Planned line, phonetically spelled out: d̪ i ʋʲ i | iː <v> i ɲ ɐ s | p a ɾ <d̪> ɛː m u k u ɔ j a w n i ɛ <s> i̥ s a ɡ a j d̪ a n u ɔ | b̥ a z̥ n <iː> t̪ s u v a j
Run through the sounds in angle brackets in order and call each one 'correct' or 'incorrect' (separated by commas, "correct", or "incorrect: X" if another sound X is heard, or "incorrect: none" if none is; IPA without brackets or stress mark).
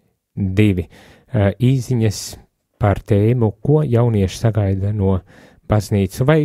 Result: incorrect: z, incorrect: t̪, incorrect: ʃ, correct